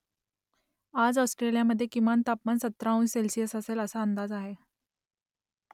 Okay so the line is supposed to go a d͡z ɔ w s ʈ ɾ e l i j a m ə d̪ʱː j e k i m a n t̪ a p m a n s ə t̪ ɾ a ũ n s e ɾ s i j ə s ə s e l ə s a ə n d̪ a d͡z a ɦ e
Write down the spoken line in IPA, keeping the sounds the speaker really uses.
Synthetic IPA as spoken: a d͡z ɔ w s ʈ ɾ e l i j a m ə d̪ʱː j e k i m a n t̪ a p m a n s ə t̪ ɾ a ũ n s e l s i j ə s ə s e l ə s a ə n d̪ a d͡z a ɦ e